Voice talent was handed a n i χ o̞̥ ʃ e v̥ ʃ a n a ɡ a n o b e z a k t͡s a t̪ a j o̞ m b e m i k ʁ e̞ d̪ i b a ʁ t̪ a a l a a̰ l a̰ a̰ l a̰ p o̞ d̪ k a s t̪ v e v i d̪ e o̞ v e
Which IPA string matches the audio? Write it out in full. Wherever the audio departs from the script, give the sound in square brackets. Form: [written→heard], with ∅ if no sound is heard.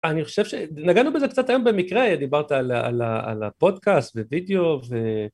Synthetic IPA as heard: a n i χ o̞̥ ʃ e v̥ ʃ [a→e] n a ɡ a n [o→u] b e z [a→e] k t͡s a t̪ a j o̞ m b e m i k ʁ e̞ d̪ i b a ʁ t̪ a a l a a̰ l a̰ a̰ l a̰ p o̞ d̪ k a s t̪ v e v i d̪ e o̞ v e